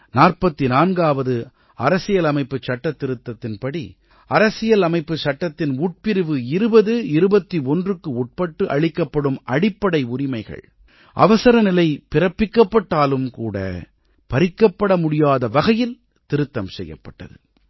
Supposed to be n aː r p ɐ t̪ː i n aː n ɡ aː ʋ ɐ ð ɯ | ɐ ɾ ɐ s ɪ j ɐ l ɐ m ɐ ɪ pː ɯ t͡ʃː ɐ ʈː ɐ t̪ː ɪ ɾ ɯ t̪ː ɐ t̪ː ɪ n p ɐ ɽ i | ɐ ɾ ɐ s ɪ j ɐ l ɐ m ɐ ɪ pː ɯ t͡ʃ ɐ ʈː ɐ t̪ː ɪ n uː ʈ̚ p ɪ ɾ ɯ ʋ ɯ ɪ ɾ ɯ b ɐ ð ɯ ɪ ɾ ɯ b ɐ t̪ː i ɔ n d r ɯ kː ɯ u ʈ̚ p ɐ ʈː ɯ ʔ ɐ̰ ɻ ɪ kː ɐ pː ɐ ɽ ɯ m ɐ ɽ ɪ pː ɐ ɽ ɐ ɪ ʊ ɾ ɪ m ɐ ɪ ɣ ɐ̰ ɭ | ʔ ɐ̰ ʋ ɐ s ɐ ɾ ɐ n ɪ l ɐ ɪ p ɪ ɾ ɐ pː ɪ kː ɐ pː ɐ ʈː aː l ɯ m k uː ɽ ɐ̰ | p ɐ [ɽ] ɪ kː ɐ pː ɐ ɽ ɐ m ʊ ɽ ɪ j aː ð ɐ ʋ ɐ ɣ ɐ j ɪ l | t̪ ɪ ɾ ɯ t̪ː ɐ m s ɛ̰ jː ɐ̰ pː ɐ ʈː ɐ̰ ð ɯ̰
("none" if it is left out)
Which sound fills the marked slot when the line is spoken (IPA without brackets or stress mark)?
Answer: ɾ